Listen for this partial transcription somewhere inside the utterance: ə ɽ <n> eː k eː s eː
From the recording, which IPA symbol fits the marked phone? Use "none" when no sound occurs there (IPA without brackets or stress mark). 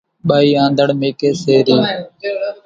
m